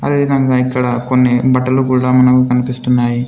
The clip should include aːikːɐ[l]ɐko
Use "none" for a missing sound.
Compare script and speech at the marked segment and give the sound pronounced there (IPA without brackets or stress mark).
ɽ